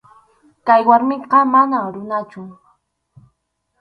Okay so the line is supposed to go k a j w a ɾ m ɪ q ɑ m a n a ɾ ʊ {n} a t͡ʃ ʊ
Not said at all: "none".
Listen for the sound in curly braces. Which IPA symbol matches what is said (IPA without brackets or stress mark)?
n